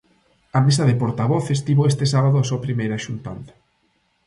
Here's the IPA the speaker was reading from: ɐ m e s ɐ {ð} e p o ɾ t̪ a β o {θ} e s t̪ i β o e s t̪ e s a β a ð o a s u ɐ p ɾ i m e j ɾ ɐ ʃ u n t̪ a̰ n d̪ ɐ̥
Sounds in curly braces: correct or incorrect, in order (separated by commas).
correct, correct